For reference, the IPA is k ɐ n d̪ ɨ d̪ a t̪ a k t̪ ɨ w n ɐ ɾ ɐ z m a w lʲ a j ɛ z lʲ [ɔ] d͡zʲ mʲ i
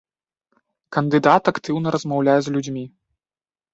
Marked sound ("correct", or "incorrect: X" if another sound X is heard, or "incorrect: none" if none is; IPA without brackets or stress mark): incorrect: u